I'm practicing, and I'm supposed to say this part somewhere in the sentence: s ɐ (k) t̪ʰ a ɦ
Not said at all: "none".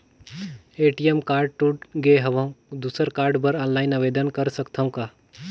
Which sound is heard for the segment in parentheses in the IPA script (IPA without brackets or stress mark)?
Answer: k